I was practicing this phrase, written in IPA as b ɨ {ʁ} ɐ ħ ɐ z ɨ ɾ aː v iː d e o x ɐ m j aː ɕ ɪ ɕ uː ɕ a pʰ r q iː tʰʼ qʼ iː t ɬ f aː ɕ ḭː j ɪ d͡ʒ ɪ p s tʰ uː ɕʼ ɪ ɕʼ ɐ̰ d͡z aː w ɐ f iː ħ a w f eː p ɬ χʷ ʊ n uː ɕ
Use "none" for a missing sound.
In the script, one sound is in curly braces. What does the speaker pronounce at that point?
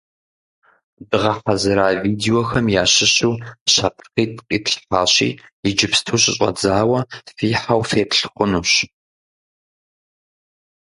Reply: ʁ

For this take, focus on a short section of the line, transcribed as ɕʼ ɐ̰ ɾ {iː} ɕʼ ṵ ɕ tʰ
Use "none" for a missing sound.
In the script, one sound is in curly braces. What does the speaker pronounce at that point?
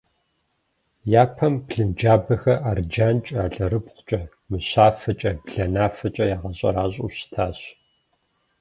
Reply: aː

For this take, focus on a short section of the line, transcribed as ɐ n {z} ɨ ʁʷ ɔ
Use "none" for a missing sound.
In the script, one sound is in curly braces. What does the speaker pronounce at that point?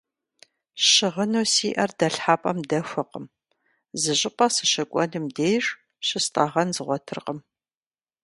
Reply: z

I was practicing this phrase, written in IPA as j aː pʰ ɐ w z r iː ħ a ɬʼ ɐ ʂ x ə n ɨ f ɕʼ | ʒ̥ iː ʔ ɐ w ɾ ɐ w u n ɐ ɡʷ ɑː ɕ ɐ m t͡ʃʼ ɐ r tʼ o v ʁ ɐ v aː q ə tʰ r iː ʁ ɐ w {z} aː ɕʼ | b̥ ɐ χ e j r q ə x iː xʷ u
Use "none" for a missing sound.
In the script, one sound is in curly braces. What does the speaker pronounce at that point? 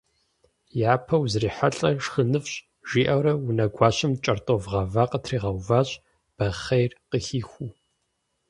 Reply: v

